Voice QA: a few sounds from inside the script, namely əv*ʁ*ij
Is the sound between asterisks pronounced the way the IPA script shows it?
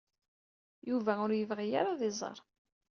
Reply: yes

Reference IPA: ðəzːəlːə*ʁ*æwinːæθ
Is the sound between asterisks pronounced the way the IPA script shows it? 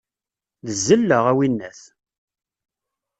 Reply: yes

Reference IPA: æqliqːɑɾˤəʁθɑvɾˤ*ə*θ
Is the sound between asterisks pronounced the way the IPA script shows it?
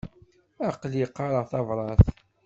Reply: no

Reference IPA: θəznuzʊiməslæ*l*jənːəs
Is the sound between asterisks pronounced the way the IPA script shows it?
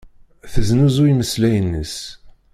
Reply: no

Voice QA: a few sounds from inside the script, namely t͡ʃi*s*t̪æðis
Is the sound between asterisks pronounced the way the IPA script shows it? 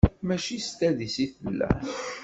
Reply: yes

